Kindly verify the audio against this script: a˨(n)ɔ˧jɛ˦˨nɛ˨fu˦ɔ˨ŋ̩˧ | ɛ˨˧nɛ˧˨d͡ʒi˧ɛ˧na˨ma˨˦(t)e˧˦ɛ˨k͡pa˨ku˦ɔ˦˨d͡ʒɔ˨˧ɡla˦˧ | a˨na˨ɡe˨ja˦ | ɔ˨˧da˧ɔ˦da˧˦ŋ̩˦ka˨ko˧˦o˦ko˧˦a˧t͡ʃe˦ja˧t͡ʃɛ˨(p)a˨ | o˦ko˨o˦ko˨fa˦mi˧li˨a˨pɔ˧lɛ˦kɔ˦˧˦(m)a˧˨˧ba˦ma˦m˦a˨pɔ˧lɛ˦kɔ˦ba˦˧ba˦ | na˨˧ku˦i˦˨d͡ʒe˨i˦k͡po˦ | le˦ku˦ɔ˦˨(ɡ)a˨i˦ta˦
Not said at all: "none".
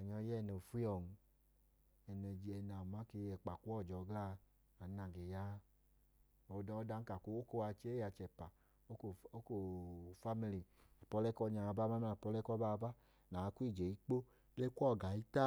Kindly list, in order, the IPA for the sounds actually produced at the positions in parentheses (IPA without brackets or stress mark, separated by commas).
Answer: ɲ, k, p, ɲ, ɡ